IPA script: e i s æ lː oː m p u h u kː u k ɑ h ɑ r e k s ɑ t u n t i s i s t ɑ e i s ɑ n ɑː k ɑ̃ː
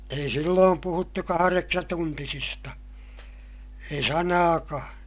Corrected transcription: e i s i lː oː m p u h u tː u k ɑ h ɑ r e k s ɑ t u n t i s i s t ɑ e i s ɑ n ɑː k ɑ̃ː